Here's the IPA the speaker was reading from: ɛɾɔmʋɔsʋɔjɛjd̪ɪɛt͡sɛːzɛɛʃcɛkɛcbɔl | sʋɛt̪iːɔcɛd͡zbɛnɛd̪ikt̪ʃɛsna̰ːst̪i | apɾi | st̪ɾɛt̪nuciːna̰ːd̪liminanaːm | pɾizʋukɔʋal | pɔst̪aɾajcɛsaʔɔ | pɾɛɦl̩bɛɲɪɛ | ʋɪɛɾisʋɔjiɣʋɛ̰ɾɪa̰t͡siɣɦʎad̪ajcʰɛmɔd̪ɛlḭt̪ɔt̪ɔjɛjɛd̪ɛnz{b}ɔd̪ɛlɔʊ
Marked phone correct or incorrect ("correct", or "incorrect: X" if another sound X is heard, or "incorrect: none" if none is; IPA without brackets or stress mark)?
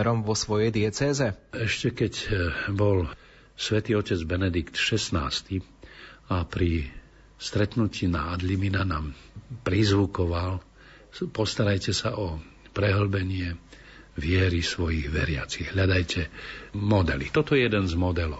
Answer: incorrect: m